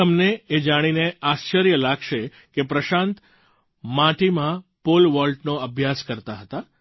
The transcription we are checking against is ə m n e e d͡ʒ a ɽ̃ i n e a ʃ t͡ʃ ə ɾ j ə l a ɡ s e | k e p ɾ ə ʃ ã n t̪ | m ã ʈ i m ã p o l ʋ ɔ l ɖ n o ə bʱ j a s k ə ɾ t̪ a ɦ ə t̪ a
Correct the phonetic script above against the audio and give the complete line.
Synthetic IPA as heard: ə m n e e d͡ʒ a ɽ̃ i n e a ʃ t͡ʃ ə ɾ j ə l a ɡ ʃ e | k e p ɾ ə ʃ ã n t̪ | m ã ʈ i m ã p o l ʋ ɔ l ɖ n o ə bʱ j a s k ə ɾ t̪ a ɦ ə t̪ a